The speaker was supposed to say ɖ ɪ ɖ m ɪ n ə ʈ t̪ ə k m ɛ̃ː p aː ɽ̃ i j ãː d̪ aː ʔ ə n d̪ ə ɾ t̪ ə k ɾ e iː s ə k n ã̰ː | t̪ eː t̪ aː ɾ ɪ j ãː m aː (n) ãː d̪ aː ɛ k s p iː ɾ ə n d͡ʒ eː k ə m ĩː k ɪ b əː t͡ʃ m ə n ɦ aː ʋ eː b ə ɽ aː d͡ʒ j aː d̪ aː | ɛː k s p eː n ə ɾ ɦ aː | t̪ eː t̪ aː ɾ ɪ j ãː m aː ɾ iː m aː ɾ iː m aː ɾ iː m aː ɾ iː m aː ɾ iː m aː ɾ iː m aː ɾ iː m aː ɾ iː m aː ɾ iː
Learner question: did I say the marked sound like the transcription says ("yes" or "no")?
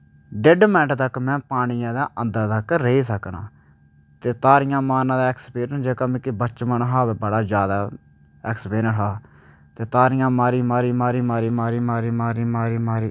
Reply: yes